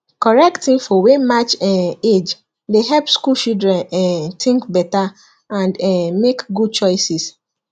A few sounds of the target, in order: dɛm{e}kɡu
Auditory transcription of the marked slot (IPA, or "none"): e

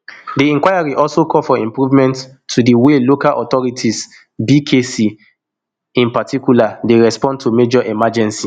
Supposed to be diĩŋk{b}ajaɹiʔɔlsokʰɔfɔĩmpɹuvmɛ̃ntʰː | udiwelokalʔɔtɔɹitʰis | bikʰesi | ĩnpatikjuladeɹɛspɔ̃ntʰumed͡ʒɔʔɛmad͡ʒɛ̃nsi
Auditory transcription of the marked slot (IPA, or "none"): w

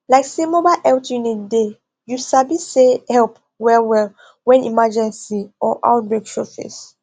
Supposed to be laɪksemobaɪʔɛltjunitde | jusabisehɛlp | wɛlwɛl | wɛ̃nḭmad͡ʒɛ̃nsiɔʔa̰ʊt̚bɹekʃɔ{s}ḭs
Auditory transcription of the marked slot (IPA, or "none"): f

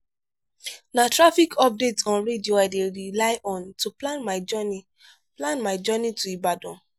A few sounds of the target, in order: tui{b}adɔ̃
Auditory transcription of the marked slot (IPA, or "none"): b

